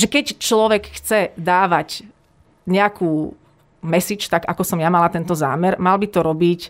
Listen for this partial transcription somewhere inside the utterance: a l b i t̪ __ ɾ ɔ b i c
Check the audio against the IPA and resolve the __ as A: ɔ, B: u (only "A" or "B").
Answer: A